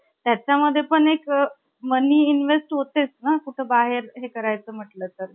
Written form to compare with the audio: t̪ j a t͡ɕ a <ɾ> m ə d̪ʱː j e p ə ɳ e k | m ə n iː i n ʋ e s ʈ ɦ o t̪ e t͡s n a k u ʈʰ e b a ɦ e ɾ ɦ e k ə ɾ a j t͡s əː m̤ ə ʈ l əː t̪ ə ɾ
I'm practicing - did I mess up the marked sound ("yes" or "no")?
yes